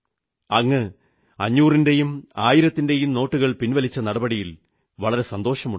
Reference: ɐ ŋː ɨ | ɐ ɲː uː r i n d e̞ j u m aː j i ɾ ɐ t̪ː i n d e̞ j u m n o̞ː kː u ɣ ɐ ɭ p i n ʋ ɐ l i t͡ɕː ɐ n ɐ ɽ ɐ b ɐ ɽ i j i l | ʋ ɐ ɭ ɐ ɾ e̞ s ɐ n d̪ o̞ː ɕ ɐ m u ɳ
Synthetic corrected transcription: ɐ ŋː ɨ | ɐ ɲː uː r i n d e̞ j u m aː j i ɾ ɐ t̪ː i n d e̞ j u m n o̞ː ʈː u ɣ ɐ ɭ p i n ʋ ɐ l i t͡ɕː ɐ n ɐ ɽ ɐ b ɐ ɽ i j i l | ʋ ɐ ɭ ɐ ɾ e̞ s ɐ n d̪ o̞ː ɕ ɐ m u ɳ